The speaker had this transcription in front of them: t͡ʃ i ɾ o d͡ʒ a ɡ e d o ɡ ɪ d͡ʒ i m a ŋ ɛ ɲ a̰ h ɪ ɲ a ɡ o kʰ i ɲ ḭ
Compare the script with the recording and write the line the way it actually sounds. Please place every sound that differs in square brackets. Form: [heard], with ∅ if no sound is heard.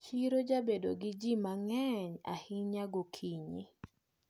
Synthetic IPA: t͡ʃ i ɾ o d͡ʒ a [b] e d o ɡ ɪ d͡ʒ i m a ŋ ɛ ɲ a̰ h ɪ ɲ a ɡ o kʰ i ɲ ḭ